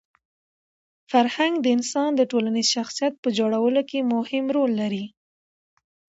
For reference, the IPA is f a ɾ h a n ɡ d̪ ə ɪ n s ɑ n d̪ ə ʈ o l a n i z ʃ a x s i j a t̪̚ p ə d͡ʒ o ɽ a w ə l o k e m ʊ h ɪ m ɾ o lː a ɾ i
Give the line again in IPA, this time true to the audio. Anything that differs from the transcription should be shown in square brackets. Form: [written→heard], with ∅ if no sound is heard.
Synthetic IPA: f a ɾ h a [n→ŋ] ɡ d̪ ə ɪ n s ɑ n d̪ ə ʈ o l a n i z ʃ a x s i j a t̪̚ p ə d͡ʒ o ɽ a w ə l o k e m ʊ h ɪ m ɾ o lː a ɾ i